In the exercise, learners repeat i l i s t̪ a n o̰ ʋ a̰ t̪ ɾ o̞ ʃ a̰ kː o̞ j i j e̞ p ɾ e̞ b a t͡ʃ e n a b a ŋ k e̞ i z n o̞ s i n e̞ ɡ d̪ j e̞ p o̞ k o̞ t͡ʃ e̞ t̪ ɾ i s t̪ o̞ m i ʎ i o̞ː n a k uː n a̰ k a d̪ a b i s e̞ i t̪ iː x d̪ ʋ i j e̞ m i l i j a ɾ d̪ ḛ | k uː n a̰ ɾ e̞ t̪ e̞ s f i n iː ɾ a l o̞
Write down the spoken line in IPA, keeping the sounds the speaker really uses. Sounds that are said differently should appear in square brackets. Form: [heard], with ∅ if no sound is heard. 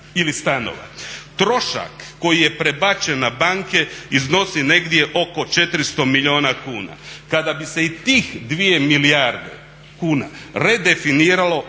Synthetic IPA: i l i s t̪ a n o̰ ʋ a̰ t̪ ɾ o̞ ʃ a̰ kː o̞ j i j e̞ p ɾ e̞ b a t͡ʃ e n a b a ŋ k e̞ i z n o̞ s i n e̞ ɡ d̪ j e̞ [ʔ] o̞ k o̞ t͡ʃ e̞ t̪ ɾ i s t̪ o̞ m i ʎ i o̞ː n a k uː n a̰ k a d̪ a b i s e̞ i t̪ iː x d̪ ʋ i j e̞ m i l i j a ɾ d̪ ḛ | k uː n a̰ ɾ e̞ [d̪] e̞ [∅] f i n iː ɾ a l o̞